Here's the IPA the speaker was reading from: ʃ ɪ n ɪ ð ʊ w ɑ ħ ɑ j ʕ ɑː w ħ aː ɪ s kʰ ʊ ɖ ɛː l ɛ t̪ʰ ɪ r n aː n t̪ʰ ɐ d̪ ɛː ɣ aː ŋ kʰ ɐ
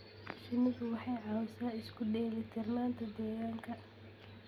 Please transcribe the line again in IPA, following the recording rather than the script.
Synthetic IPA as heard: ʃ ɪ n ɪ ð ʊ w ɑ ħ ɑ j ʕ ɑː w s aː ɪ s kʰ ʊ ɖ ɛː l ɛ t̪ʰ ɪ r n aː n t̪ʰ ɐ d̪ ɛː ɣ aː ŋ kʰ ɐ